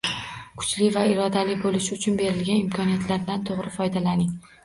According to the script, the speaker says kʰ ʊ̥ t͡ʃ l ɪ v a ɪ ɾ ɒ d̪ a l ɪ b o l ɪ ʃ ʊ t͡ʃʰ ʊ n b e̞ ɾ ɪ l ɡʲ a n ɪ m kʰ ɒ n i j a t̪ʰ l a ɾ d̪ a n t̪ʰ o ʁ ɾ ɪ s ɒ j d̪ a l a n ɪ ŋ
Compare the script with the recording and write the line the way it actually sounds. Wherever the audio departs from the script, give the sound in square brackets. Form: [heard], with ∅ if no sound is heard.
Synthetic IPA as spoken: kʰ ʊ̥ t͡ʃ l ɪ v a ɪ ɾ ɒ d̪ a l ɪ b o l ɪ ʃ ʊ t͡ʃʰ ʊ n b e̞ ɾ ɪ l ɡʲ a n ɪ m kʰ ɒ n i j a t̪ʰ l a ɾ d̪ a n t̪ʰ o ʁ ɾ ɪ [f] ɒ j d̪ a l a n ɪ ŋ